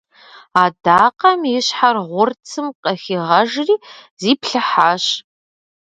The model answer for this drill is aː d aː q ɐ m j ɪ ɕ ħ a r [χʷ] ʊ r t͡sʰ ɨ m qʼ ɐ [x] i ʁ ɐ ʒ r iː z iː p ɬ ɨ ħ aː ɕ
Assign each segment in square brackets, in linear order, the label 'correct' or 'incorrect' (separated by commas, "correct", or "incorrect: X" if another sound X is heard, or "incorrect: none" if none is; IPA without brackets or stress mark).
incorrect: ʁʷ, correct